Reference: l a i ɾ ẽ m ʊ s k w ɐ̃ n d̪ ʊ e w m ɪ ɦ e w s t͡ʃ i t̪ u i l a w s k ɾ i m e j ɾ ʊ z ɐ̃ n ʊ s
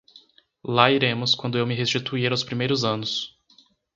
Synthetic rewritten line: l a i ɾ ẽ m ʊ s k w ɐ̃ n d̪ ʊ e w m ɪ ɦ e s t͡ʃ i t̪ u i ɾ a w s p ɾ i m e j ɾ ʊ z ɐ̃ n ʊ s